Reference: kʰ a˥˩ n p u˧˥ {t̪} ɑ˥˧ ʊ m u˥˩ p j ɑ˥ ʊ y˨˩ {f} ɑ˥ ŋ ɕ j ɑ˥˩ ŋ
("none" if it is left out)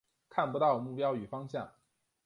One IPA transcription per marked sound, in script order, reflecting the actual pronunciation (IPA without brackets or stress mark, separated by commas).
t̪, f